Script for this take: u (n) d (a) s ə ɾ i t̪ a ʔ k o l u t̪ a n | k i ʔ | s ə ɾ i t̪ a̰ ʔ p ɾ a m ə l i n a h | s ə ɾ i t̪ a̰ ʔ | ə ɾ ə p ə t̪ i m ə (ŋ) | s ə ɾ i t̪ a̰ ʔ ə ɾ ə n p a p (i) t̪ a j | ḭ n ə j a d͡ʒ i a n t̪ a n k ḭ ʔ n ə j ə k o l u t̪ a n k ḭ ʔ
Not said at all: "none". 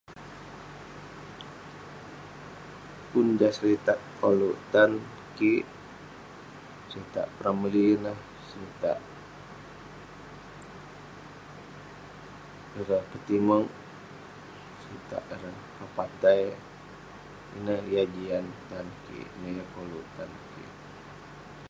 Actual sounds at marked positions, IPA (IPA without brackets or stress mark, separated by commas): n, a, ŋ, a